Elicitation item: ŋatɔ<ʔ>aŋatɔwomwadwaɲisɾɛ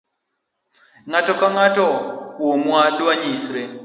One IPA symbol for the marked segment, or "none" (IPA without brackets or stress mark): k